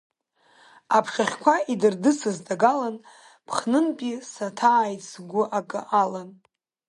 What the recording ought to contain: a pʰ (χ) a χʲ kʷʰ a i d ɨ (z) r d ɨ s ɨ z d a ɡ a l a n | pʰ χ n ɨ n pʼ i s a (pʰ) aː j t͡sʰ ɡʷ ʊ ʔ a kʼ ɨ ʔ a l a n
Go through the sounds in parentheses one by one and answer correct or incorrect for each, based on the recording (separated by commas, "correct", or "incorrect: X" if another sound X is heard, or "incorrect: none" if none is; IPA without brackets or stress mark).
incorrect: ʂ, incorrect: none, incorrect: tʰ